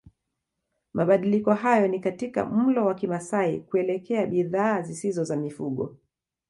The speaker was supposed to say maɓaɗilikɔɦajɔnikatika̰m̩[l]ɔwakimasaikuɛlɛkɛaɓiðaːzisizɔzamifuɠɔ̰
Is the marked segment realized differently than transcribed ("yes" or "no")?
no